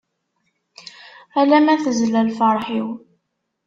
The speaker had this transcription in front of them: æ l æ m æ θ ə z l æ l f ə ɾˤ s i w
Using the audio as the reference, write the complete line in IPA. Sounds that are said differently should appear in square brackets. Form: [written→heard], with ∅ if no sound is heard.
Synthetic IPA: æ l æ m æ θ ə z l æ l f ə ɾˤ [s→ħ] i w